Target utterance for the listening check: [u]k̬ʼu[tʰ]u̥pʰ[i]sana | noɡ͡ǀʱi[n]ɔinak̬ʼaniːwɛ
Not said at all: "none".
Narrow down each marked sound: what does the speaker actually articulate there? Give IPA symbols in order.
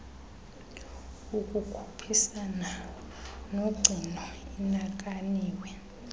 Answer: u, kʰ, i, n

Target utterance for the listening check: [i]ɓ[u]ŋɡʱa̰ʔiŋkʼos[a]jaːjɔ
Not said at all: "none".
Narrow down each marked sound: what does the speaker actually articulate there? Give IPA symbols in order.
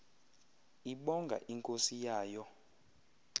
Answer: i, ɔ, i

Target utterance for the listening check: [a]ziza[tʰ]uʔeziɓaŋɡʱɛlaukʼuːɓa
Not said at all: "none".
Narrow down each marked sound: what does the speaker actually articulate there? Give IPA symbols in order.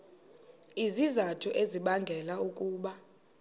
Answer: i, tʰ

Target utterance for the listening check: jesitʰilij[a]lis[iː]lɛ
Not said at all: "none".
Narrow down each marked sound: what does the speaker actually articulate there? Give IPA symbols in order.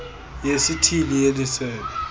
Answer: e, ɛː

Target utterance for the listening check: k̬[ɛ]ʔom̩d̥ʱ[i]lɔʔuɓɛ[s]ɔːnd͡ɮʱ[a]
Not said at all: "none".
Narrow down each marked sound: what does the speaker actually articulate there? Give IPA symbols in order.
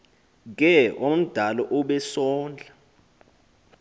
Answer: ɛ, a, s, a

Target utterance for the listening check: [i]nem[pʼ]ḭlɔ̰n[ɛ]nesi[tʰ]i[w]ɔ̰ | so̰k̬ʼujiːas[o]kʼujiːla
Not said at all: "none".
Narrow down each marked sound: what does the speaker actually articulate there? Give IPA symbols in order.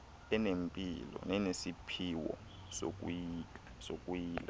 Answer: ɛ, pʼ, ɛ, pʰ, w, o

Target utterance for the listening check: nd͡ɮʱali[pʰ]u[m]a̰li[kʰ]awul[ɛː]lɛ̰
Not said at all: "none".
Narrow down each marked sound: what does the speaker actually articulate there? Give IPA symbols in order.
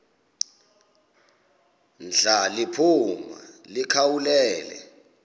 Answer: pʰ, m, kʰ, ɛː

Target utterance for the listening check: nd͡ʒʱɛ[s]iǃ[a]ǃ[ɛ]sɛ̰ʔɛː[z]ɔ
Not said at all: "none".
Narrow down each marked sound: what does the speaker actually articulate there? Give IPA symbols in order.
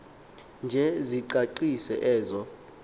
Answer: z, a, i, z

